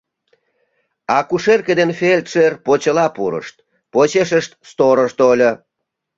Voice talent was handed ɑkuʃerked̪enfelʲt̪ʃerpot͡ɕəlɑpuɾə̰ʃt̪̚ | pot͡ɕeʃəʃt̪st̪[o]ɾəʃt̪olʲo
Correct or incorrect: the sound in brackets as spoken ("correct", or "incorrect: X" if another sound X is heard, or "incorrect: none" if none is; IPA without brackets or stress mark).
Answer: correct